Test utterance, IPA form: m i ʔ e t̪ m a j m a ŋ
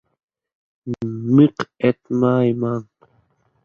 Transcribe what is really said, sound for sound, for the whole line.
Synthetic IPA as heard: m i q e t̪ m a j m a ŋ